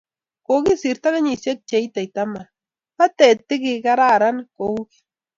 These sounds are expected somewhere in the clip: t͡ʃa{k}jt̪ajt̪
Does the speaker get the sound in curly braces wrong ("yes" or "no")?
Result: yes